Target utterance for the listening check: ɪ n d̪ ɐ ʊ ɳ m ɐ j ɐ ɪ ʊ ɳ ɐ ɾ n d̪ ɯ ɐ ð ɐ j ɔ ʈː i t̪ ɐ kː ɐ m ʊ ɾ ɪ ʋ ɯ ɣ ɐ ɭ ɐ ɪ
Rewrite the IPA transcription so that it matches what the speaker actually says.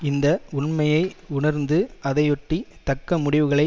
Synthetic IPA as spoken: ɪ n d̪ ɐ ʊ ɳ m ɐ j ɐ ɪ ʊ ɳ ɐ ɾ n d̪ ɯ ɐ ð ɐ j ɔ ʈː i t̪ ɐ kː ɐ m ʊ ɽ ɪ ʋ ɯ ɣ ɐ ɭ ɐ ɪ